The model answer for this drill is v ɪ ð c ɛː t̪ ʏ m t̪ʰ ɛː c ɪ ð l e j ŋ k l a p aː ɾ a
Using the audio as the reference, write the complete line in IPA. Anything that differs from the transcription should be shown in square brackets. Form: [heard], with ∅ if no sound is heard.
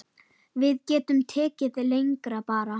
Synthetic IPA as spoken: v ɪ ð c ɛː t̪ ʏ m t̪ʰ ɛː c ɪ ð l e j ŋ k [ɾ] a p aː ɾ a